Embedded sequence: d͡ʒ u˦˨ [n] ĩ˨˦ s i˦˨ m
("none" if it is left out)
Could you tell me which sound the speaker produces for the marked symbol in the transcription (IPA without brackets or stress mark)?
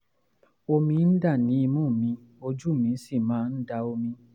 m